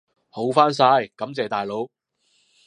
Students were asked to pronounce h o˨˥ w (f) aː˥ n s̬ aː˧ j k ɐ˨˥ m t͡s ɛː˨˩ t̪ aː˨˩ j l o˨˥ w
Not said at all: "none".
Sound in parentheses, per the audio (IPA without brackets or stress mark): f